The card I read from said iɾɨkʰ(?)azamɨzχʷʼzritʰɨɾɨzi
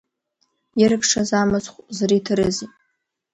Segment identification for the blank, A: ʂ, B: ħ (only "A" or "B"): A